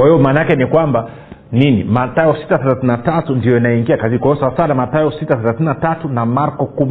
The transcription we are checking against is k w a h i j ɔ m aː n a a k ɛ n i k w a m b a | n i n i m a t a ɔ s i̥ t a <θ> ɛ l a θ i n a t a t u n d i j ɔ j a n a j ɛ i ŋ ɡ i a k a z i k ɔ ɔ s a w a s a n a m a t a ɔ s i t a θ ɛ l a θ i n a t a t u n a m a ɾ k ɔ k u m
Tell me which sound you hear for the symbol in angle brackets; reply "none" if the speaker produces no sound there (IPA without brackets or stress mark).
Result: θ